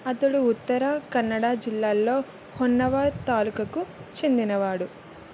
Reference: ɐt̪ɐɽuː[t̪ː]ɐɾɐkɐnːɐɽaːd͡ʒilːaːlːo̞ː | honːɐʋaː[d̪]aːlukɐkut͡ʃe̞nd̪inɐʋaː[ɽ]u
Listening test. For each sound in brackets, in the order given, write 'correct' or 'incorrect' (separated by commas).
correct, incorrect, correct